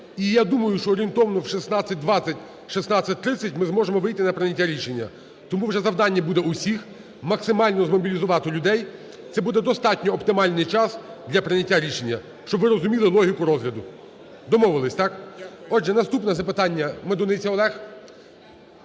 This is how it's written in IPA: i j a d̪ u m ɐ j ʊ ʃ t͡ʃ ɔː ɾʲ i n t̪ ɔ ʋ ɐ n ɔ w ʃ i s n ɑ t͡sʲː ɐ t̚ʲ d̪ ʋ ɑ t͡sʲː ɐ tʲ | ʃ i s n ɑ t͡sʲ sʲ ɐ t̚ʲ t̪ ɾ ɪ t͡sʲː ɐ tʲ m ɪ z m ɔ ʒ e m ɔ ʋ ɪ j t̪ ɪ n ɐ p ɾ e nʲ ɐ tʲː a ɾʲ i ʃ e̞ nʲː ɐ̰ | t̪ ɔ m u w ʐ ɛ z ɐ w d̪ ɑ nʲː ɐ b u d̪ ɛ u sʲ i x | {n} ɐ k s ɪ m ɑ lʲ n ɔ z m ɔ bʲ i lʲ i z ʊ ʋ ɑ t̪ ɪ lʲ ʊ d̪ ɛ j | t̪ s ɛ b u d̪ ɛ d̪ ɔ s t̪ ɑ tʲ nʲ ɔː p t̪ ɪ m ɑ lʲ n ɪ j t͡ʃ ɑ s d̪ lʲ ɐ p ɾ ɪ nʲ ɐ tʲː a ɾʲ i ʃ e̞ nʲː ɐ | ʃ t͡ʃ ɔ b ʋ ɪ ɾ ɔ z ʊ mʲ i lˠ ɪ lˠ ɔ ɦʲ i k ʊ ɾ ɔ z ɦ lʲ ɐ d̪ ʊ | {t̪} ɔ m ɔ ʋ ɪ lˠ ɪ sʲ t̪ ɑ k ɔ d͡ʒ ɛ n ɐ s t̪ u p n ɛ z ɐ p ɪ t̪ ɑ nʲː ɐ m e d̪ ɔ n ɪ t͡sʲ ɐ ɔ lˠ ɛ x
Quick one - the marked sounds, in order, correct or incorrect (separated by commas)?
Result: incorrect, incorrect